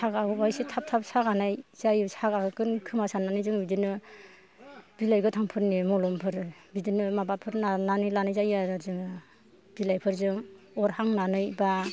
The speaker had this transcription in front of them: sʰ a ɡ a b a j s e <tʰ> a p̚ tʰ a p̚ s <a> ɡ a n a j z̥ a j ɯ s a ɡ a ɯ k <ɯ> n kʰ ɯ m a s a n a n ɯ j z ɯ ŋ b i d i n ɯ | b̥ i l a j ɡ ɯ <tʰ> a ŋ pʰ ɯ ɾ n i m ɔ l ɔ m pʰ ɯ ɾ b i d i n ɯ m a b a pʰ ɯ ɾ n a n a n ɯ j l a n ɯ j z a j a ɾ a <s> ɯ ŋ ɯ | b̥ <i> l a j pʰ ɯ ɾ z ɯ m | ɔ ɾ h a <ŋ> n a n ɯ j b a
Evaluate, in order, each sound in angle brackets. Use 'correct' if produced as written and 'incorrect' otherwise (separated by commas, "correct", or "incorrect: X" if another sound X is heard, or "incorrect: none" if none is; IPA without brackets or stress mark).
correct, correct, correct, correct, incorrect: z, correct, correct